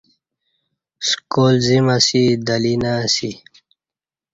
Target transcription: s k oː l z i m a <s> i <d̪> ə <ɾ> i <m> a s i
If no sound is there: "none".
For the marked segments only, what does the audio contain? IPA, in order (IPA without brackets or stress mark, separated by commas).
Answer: s, d̪, l, n